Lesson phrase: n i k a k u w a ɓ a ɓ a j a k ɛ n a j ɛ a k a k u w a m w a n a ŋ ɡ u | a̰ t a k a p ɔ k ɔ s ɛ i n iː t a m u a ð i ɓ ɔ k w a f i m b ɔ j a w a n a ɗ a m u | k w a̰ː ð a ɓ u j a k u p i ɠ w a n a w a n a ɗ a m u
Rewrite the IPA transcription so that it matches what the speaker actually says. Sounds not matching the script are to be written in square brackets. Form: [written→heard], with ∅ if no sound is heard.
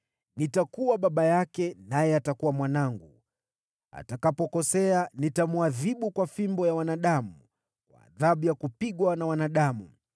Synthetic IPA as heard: n i [k→t] a k u w a ɓ a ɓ a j a k ɛ n a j ɛ a [k→t] a k u w a m w a n a ŋ ɡ u | a̰ t a k a p ɔ k ɔ s ɛ [i→a] n [iː→i] t a m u a ð i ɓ [ɔ→u] k w a f i m b ɔ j a w a n a ɗ a m u | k w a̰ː ð a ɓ u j a k u p i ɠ w a n a w a n a ɗ a m u